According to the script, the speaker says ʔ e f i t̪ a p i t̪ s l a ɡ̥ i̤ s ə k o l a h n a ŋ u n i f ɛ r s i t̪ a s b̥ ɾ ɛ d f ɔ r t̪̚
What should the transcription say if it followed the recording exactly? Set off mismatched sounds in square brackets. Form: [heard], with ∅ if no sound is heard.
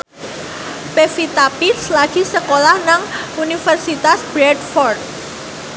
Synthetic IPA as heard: [p] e f i t̪ a p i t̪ s l a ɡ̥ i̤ s ə k o l a h n a ŋ u n i f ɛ r s i t̪ a s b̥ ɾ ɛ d f ɔ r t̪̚